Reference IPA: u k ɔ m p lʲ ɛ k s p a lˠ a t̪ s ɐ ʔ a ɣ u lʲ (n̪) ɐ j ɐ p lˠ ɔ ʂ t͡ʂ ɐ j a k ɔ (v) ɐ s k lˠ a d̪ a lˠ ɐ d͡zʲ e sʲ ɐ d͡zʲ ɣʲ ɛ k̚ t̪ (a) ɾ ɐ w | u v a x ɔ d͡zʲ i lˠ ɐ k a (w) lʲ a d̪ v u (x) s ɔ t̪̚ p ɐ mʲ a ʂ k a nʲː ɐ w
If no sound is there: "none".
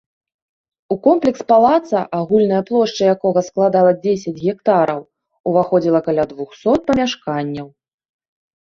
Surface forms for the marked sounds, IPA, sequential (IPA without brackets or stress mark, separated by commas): n̪, ɣ, a, none, x